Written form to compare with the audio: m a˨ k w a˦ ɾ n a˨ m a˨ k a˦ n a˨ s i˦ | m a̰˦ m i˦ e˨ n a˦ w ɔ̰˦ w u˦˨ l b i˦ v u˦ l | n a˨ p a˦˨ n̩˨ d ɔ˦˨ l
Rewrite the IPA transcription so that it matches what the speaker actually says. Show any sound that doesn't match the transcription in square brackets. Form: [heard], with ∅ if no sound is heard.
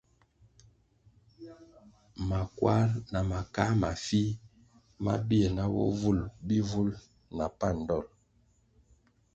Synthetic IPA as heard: m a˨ k w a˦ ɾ n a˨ m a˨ k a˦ [m] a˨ [f] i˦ | m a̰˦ [b] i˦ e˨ n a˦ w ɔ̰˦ [v] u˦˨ l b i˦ v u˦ l | n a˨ p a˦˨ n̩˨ d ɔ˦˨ l